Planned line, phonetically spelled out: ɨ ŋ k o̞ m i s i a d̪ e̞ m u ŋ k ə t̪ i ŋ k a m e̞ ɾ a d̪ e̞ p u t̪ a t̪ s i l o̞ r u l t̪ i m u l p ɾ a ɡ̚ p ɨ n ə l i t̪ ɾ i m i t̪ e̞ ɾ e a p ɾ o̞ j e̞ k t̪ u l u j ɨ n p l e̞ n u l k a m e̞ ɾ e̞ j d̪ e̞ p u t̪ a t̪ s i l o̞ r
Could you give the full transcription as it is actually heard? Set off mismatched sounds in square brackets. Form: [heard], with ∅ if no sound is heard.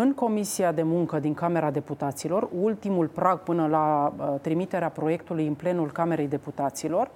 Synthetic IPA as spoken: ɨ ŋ k o̞ m i s i a d̪ e̞ m u ŋ k ə [d̪] i ŋ k a m e̞ ɾ a d̪ e̞ p u t̪ a t̪ s i l o̞ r u l t̪ i m u l p ɾ a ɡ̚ p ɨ n ə l [a] t̪ ɾ i m i t̪ e̞ ɾ e a p ɾ o̞ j e̞ k t̪ u l u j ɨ n p l e̞ n u l k a m e̞ ɾ e̞ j d̪ e̞ p u t̪ a t̪ s i l o̞ r